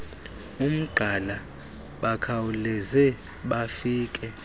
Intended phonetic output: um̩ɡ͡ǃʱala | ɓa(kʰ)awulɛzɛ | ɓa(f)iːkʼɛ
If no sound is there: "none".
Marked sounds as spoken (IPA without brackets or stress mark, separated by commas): kʰ, f